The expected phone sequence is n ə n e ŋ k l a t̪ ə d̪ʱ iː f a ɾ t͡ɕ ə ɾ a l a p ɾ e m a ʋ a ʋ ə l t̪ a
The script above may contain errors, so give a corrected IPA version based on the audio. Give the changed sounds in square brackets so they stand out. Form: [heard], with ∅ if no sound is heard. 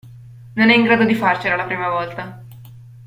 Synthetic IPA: n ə n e ŋ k [ɾ] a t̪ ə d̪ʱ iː f a ɾ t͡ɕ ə ɾ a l a p ɾ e m a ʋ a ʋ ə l t̪ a